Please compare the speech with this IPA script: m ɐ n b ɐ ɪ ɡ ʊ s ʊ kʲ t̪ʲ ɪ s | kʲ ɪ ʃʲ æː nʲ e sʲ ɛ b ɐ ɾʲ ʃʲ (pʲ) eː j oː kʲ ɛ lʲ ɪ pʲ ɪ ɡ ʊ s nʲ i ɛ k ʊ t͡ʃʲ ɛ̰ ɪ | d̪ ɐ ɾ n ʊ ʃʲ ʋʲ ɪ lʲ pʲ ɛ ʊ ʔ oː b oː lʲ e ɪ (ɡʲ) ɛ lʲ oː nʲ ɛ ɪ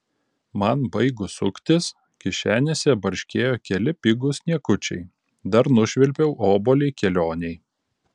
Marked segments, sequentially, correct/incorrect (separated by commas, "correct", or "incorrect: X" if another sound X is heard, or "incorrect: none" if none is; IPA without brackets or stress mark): incorrect: kʲ, incorrect: kʲ